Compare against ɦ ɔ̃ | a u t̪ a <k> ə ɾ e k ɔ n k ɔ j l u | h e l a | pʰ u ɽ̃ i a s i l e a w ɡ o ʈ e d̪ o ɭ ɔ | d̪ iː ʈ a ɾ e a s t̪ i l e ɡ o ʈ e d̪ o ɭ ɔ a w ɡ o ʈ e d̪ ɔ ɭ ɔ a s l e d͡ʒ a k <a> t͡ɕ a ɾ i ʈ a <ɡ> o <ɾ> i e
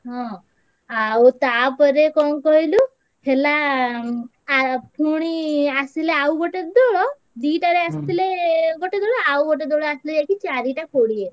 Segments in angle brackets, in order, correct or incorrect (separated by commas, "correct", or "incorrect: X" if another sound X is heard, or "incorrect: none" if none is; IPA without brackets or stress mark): incorrect: p, incorrect: i, incorrect: k, incorrect: ɽ